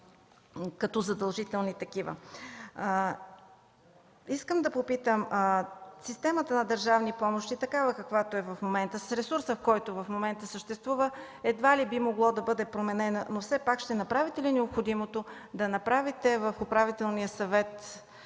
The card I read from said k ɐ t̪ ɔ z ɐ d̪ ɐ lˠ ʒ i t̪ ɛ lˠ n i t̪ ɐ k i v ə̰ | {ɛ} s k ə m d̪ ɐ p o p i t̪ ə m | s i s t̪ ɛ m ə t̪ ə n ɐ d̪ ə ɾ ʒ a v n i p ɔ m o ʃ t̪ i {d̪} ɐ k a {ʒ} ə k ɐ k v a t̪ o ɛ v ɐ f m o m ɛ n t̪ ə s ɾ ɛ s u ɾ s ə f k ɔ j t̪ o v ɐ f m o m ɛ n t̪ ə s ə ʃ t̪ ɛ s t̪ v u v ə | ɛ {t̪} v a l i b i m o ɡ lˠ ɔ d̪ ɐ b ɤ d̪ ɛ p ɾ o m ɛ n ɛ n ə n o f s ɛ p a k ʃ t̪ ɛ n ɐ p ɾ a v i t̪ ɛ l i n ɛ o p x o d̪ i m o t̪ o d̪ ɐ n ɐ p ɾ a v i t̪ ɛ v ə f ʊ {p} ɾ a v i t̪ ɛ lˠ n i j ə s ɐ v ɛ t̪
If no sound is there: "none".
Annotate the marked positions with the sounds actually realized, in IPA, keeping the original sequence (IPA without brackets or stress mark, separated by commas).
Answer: i, t̪, v, d̪, p